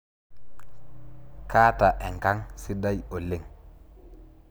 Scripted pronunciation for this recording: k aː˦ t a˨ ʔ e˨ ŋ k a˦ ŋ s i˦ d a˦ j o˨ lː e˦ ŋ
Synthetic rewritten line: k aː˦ t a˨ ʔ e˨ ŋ k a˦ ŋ s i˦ d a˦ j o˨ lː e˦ ŋ